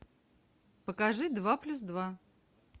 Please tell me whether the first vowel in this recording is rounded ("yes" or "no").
no